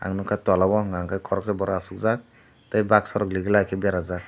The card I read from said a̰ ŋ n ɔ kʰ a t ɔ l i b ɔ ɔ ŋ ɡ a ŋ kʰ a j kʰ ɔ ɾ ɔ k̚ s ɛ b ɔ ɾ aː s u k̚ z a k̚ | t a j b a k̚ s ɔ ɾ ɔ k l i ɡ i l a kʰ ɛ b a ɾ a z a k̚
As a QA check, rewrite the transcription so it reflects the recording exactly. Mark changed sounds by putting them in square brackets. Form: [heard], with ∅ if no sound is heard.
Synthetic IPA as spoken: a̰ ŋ n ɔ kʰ a t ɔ l [a] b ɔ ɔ ŋ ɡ a ŋ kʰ a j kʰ ɔ ɾ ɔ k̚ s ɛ b ɔ ɾ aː s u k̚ z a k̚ | t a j b a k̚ s ɔ ɾ ɔ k l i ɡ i l a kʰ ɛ b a ɾ a z a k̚